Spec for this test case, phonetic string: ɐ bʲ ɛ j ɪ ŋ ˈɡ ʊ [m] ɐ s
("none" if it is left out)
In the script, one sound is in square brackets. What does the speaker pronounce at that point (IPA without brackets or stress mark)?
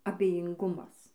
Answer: m